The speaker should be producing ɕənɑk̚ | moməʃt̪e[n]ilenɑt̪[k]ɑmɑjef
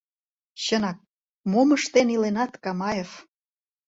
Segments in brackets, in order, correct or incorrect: correct, correct

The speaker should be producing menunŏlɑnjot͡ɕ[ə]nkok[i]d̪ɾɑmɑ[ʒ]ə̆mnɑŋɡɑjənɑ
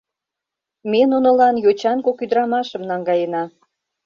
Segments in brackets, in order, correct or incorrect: incorrect, incorrect, incorrect

